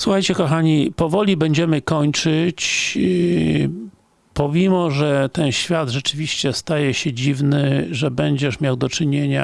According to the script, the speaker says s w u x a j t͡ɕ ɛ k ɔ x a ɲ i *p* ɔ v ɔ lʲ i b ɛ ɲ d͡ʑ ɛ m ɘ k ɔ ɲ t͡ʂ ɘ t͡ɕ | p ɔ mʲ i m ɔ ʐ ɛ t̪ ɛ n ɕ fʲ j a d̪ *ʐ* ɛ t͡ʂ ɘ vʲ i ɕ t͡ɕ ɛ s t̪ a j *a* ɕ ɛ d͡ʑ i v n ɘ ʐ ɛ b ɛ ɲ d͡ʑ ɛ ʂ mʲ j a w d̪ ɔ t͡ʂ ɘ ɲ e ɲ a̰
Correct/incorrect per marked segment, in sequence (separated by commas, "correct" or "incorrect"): correct, correct, incorrect